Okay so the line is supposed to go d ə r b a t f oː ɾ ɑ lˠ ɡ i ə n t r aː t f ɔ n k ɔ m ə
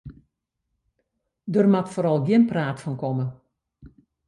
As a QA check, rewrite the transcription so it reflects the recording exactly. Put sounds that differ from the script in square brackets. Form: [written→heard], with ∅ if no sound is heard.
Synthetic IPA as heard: d ə r [b→m] a t f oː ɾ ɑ lˠ ɡ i ə n [t→p] r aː t f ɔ n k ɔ m ə

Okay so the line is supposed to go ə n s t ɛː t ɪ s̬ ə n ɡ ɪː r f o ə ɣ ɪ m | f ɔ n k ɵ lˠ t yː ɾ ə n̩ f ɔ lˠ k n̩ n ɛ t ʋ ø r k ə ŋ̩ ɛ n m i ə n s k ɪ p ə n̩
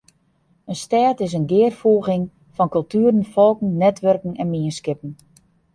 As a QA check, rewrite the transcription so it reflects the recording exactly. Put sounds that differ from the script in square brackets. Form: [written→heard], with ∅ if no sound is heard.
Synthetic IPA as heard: ə n s t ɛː t ɪ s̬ ə n ɡ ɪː r f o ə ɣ ɪ [m→ŋ] | f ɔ n k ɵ lˠ t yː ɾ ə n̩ f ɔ lˠ k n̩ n ɛ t ʋ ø r k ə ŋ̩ ɛ n m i ə n s k ɪ p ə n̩

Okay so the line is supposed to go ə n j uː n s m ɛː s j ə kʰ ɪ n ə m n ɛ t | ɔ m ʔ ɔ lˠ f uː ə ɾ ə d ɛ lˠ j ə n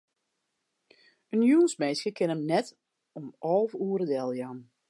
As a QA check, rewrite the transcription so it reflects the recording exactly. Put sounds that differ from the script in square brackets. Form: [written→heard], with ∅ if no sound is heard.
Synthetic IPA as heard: ə n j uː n s m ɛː s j ə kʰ ɪ n ə m n ɛ t | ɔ m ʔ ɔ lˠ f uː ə ɾ ə d ɛ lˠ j [ə→a] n

